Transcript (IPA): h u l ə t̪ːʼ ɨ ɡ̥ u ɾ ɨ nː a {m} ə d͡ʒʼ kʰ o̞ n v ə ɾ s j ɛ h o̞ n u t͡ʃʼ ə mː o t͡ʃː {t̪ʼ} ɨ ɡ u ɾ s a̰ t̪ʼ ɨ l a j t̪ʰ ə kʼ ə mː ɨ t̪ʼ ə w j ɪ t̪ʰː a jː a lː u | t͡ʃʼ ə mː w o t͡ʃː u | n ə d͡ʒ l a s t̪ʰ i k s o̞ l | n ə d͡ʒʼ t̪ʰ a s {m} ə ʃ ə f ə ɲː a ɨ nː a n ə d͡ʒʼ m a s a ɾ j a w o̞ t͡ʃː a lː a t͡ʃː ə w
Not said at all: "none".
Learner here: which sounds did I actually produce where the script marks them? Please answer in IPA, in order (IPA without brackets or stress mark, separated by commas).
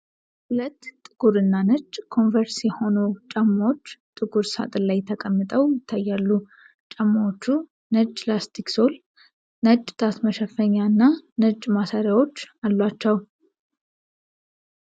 n, t̪ʼ, m